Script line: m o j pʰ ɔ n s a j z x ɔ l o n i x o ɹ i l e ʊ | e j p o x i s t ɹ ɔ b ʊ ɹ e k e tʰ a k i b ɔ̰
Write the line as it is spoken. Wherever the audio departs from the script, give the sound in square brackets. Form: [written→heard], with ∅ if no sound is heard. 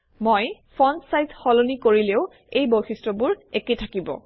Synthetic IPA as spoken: m o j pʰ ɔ n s a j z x ɔ l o n i [x→k] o ɹ i l e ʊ | e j [p→b] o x i s t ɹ ɔ b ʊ ɹ e k e tʰ a k i b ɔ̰

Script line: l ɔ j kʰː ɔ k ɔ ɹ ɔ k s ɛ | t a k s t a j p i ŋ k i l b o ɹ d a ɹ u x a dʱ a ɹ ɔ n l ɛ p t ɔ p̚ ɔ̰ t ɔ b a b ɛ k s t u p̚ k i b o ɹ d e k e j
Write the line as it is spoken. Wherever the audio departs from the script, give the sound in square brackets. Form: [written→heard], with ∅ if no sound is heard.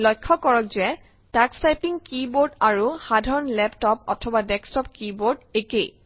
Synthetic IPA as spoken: l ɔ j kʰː ɔ k ɔ ɹ ɔ k [s→z] ɛ | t a k s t a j p i ŋ k i [l→∅] b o ɹ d a ɹ u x a dʱ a ɹ ɔ n l ɛ p t ɔ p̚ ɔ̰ [t→tʰ] ɔ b a [b→d] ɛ k s t [u→ɔ] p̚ k i b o ɹ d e k e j

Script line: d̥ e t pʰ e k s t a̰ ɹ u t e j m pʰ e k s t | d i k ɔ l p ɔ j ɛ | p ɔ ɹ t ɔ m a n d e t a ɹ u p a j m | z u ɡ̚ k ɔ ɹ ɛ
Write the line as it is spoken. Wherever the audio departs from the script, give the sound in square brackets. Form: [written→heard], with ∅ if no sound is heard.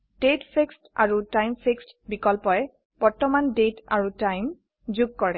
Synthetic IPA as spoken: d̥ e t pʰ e k s t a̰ ɹ u t [e→a] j m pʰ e k s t | [d→b] i k ɔ l p ɔ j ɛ | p ɔ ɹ t ɔ m a n d e t a ɹ u [p→t] a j m | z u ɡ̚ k ɔ ɹ ɛ

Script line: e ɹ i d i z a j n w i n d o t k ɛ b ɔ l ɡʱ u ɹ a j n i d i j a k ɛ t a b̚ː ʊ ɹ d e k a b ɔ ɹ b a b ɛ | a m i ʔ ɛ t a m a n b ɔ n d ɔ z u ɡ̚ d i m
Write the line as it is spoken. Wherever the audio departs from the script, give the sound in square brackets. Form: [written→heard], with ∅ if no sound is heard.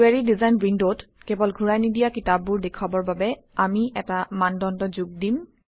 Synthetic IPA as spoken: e ɹ i d i z a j n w i n d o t k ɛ b ɔ l ɡʱ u ɹ a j n i d i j a k [ɛ→i] t a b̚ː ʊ ɹ d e [k→kʰ] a b ɔ ɹ b a b ɛ | a m i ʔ ɛ t a m a n [b→d] ɔ n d ɔ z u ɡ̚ d i m

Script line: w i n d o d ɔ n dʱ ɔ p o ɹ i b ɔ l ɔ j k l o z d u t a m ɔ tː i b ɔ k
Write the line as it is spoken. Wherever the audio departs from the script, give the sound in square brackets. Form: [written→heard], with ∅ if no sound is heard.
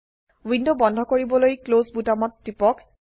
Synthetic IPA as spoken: w i n d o [d→b] ɔ n dʱ ɔ [p→k] o ɹ i b ɔ l [ɔ→o] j k l o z [d→b] u t a m ɔ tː i [b→p] ɔ k

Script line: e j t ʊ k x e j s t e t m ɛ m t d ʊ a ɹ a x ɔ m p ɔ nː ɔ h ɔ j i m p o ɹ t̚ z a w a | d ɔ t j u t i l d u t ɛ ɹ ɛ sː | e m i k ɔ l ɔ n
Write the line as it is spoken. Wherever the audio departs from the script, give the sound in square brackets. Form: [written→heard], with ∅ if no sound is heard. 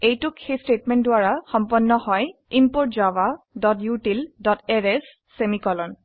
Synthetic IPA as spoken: e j t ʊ k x e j s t e t m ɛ [m→n] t d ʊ a ɹ a x ɔ m p ɔ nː ɔ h ɔ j i m p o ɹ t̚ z a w a | d ɔ t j u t i l d [u→ɔ] t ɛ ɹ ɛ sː | e m i k ɔ l ɔ n

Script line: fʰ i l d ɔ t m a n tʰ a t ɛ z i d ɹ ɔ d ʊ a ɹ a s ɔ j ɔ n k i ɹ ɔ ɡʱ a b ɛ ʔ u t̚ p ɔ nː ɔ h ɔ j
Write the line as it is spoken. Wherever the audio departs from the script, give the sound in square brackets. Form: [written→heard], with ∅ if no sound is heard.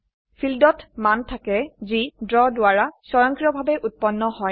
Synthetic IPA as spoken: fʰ i l d ɔ t m a n tʰ a [t→k] ɛ z i d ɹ ɔ d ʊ a ɹ a s ɔ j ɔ [n→ŋ] k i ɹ ɔ [ɡʱ→bʱ] a b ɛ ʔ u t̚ p ɔ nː ɔ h ɔ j

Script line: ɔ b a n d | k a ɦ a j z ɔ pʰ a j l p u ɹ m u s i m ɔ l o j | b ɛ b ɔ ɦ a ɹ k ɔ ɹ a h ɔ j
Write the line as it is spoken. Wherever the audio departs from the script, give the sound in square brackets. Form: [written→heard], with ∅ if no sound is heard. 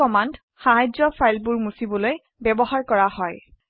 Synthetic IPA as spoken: ɔ [b→m] a n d | [k→x] a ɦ a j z ɔ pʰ a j l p u ɹ m u s i [m→b] ɔ l o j | b ɛ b ɔ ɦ a ɹ k ɔ ɹ a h ɔ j

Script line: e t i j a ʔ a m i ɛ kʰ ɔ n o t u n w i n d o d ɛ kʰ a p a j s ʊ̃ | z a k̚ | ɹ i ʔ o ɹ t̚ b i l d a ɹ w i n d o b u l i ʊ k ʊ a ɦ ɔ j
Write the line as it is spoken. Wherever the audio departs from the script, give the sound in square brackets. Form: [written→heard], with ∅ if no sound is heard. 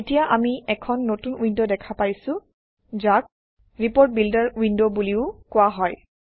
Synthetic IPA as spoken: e t i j a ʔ a m i ɛ kʰ ɔ [n→nː] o t u n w i n d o d ɛ kʰ a p a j s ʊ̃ | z a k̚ | ɹ i [ʔ→p] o ɹ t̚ b i l d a ɹ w i n d o b u l i ʊ k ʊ a ɦ ɔ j

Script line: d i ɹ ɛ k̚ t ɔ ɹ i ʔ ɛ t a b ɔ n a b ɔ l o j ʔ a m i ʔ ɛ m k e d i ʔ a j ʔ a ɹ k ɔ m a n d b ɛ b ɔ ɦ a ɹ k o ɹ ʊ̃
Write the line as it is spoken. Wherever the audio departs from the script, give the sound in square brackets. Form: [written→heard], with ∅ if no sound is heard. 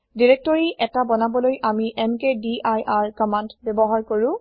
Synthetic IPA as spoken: d i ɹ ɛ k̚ t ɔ ɹ i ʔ ɛ t a b ɔ n a b ɔ l o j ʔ a m i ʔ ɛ m k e d i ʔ a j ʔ a ɹ k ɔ m a n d b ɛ b ɔ ɦ a ɹ k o ɹ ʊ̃

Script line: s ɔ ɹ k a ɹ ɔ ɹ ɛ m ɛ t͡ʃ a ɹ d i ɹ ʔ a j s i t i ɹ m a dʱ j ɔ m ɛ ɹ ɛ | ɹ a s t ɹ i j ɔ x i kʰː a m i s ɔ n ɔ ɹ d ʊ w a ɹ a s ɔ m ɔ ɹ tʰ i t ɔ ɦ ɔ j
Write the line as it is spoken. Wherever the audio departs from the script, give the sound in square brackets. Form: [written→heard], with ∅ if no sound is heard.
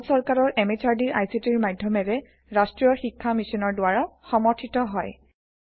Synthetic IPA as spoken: s ɔ ɹ k a ɹ ɔ ɹ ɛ m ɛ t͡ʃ a ɹ d i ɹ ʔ a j s i t i ɹ m a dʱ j ɔ m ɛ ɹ ɛ | ɹ a s t ɹ i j ɔ x i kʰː a m i s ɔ n ɔ ɹ d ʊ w a ɹ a [s→x] ɔ m ɔ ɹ tʰ i t ɔ ɦ ɔ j

